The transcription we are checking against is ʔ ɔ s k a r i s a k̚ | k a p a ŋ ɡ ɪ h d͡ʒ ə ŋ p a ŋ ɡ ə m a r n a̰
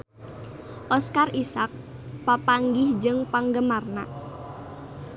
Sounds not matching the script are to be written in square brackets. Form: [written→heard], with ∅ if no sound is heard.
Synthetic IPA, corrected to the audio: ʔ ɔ s k a r i s a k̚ | [k→p] a p a ŋ ɡ ɪ h d͡ʒ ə ŋ p a ŋ ɡ ə m a r n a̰